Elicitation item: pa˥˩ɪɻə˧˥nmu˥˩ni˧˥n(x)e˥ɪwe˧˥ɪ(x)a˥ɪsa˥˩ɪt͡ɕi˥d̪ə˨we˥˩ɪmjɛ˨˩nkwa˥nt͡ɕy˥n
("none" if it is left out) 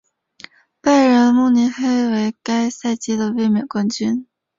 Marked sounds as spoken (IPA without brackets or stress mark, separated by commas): x, k